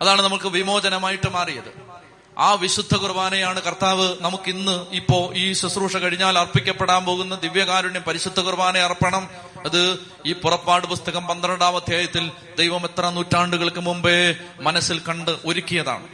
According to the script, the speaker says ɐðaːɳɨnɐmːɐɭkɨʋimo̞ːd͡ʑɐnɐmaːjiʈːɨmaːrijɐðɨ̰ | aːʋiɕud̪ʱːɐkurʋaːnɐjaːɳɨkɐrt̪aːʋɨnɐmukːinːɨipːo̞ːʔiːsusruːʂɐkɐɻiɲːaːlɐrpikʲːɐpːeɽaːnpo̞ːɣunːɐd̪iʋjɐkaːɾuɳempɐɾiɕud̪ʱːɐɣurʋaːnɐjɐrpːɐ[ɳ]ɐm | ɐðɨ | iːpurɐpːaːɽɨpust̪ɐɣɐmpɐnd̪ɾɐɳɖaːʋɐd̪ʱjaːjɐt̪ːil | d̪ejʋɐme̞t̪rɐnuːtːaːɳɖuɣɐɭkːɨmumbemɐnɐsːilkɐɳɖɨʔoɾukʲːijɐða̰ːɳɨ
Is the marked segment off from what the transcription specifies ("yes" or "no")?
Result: no